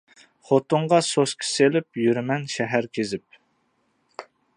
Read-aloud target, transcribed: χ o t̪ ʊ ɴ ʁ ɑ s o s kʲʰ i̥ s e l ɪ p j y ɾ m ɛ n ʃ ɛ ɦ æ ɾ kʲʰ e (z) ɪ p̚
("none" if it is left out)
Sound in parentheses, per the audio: z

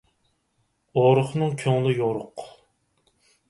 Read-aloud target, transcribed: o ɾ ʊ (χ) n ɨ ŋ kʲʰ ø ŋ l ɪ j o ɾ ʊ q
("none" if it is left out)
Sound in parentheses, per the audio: χ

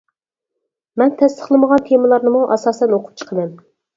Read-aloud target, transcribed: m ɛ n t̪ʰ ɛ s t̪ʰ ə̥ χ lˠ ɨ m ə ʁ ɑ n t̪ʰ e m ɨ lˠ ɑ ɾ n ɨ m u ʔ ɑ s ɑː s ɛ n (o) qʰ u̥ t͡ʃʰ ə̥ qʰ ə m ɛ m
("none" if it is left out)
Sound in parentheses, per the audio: o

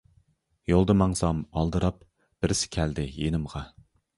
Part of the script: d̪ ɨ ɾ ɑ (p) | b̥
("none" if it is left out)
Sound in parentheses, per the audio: p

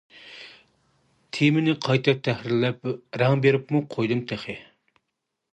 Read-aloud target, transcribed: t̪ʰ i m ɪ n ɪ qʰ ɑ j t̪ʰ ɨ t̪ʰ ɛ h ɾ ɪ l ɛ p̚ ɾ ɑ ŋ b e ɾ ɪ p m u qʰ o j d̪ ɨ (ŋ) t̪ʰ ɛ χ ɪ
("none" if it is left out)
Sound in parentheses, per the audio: m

